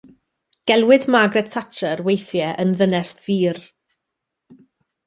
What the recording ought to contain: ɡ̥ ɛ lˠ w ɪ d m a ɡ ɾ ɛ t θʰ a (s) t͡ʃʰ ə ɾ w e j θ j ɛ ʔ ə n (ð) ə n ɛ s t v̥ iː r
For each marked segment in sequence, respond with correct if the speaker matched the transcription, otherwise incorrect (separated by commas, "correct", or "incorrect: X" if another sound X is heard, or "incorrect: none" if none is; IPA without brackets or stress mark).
incorrect: none, correct